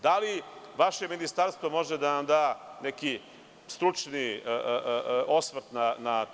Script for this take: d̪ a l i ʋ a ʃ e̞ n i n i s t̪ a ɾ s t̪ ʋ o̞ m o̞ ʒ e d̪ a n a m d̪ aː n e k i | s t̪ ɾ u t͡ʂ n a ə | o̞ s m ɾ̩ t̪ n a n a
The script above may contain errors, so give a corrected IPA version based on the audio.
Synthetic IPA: d̪ a l i ʋ a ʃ e̞ m i n i s t̪ a ɾ s t̪ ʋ o̞ m o̞ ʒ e d̪ a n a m d̪ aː n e k i | s t̪ ɾ u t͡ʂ n i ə | o̞ s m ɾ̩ t̪ n a n a